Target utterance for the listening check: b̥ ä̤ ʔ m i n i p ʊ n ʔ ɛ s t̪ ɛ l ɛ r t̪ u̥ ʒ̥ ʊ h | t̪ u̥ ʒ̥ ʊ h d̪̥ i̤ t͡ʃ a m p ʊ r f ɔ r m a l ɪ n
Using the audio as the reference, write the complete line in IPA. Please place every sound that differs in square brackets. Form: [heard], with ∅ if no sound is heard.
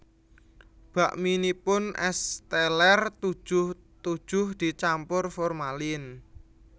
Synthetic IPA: b̥ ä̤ ʔ m i n i p ʊ n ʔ ɛ s t̪ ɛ l ɛ r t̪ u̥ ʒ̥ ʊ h | t̪ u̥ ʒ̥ ʊ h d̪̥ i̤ t͡ʃ a m p ʊ r f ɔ r m a l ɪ n